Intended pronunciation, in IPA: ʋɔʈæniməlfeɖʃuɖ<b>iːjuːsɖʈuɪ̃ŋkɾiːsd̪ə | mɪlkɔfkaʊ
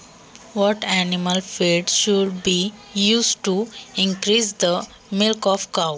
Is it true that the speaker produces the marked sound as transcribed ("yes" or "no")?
yes